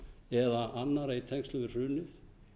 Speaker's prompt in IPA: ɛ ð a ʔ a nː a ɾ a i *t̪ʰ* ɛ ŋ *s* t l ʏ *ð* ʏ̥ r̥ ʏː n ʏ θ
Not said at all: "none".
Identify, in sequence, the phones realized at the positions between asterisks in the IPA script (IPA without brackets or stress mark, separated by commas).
t̪ʰ, s, ɣ